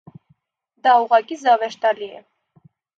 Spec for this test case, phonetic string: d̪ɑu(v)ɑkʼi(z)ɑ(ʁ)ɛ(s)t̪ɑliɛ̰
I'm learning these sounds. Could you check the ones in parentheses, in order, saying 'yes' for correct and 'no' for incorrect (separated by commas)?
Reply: no, yes, no, no